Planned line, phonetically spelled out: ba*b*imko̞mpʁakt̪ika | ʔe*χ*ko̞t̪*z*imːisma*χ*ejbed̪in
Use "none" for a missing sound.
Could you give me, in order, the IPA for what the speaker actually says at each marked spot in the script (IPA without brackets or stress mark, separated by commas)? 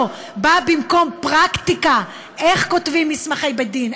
b, χ, v, χ